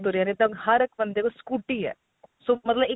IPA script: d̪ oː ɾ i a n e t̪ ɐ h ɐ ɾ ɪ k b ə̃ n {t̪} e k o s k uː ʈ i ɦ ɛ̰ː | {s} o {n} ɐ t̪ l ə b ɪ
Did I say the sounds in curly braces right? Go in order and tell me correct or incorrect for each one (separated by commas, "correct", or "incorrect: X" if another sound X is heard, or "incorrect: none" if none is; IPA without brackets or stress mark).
incorrect: d̪, correct, incorrect: m